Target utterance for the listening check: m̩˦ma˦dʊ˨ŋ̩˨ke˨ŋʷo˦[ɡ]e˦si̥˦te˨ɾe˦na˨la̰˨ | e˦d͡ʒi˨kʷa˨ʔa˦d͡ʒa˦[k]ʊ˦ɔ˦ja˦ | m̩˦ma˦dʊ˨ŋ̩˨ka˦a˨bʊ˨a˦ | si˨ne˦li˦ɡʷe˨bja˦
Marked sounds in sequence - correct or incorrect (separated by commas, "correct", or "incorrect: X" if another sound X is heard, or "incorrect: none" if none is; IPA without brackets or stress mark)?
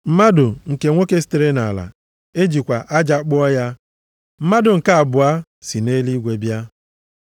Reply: incorrect: k, incorrect: k͡p